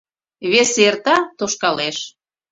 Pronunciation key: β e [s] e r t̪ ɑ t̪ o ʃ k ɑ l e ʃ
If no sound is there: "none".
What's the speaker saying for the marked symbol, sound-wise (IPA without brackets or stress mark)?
s